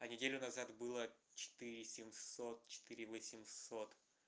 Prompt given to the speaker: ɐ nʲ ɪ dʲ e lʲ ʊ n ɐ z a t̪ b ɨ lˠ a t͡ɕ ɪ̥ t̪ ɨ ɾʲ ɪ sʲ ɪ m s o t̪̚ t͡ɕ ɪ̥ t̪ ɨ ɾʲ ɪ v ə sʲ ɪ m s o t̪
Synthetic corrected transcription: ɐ nʲ ɪ dʲ e lʲ ʊ n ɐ z a t̪ b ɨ lˠ ə t͡ɕ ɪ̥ t̪ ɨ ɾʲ ɪ sʲ ɪ m s o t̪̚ t͡ɕ ɪ̥ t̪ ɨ ɾʲ ɪ v ə sʲ ɪ m s o t̪